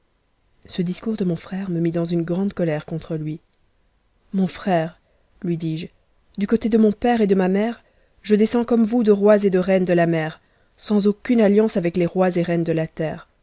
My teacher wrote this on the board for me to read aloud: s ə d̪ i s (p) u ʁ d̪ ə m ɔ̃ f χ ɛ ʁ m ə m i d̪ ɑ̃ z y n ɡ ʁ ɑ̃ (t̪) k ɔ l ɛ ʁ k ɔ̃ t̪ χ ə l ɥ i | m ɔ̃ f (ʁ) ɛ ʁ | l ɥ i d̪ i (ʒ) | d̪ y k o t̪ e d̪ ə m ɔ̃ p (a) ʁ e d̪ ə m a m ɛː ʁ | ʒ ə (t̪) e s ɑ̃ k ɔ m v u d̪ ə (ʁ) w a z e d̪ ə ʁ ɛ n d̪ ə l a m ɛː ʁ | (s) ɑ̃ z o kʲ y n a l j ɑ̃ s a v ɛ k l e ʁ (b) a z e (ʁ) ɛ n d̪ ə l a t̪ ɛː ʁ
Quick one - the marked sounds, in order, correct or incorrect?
incorrect, incorrect, incorrect, correct, incorrect, incorrect, correct, correct, incorrect, correct

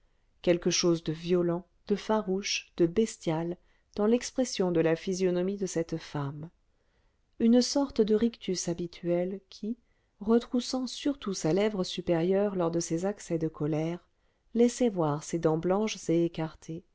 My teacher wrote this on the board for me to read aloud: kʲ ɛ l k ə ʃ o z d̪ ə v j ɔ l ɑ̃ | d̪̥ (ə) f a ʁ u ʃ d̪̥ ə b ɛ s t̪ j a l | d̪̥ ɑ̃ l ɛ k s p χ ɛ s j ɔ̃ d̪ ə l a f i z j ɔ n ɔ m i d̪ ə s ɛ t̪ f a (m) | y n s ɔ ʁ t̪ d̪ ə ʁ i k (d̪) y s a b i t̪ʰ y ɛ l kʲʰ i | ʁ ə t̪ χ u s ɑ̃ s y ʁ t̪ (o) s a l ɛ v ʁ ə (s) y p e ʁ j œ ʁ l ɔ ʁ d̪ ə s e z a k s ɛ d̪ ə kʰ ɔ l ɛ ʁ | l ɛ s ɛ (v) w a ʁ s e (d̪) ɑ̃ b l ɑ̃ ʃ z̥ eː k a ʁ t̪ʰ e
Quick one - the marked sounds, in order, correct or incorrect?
correct, correct, incorrect, incorrect, correct, correct, correct

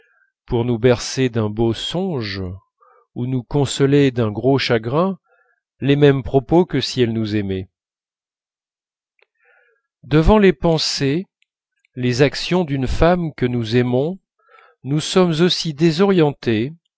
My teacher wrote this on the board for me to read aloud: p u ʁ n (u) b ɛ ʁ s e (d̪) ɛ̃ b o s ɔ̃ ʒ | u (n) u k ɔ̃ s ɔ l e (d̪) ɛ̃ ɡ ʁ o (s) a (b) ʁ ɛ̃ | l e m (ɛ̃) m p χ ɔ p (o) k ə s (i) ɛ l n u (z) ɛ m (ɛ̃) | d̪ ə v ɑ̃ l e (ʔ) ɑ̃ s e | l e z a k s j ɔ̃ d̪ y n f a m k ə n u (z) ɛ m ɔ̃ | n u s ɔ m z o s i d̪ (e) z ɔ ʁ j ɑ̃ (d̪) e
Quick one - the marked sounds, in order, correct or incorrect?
correct, correct, correct, correct, incorrect, incorrect, incorrect, correct, correct, correct, incorrect, incorrect, correct, correct, incorrect

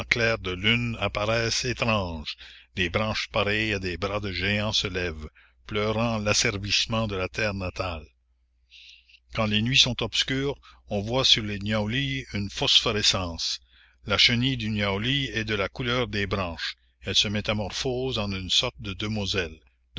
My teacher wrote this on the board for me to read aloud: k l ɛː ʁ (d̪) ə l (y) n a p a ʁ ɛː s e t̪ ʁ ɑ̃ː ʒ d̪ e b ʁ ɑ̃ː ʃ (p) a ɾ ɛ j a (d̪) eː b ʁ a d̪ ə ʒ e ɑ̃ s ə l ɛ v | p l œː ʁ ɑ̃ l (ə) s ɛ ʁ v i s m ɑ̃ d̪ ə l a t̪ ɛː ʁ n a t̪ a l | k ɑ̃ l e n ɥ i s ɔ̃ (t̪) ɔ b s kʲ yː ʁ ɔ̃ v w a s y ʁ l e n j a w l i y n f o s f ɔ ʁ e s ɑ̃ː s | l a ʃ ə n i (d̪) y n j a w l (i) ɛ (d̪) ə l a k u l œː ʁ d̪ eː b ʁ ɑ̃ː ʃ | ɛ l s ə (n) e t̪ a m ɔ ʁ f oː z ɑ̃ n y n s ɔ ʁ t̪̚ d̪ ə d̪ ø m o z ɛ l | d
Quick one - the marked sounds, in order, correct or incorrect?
correct, correct, correct, correct, incorrect, correct, correct, correct, correct, incorrect

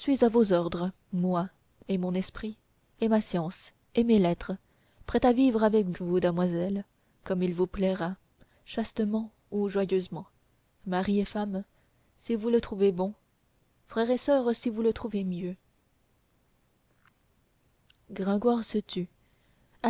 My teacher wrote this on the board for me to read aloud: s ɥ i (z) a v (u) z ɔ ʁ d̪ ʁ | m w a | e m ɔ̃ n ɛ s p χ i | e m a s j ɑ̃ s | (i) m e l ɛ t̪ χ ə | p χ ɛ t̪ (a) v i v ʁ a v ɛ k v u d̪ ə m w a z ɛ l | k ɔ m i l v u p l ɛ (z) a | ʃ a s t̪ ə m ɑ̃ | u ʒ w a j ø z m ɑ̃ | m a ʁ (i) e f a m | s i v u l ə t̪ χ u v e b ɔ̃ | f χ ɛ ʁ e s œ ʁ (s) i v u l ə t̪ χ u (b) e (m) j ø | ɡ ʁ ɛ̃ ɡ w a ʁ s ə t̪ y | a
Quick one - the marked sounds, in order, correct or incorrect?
correct, incorrect, incorrect, correct, incorrect, correct, correct, incorrect, correct

